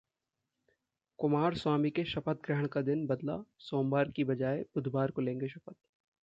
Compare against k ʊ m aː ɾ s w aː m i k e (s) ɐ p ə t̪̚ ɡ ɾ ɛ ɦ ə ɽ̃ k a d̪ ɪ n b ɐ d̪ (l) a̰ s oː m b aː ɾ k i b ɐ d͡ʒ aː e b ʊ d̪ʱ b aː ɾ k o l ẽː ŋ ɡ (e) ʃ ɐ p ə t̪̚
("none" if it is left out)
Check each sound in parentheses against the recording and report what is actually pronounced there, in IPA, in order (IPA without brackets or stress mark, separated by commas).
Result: ʃ, l, e